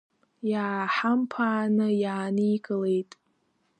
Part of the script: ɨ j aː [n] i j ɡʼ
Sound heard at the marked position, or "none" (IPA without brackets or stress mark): n